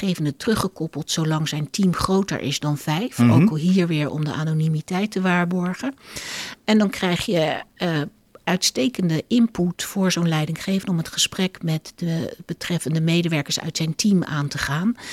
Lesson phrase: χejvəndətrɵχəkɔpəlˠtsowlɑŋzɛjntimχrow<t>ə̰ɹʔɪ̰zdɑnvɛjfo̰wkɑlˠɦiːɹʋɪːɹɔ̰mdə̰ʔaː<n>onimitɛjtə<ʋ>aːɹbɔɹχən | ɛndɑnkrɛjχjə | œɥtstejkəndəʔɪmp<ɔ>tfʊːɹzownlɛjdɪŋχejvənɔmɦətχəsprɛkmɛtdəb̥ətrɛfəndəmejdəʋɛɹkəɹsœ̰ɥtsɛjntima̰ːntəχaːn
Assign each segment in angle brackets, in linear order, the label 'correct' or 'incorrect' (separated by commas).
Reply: correct, correct, correct, incorrect